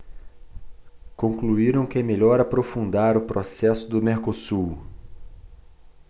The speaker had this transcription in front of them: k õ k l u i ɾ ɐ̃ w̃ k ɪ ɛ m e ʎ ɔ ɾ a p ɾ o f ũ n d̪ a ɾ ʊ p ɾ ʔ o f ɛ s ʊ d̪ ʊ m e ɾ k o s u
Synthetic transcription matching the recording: k õ k l u i ɾ ɐ̃ w̃ k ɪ ɛ m e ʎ ɔ ɾ a p ɾ o f ũ n d̪ a ɾ ʊ p ɾ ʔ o s ɛ s ʊ d̪ ʊ m e ɾ k o s u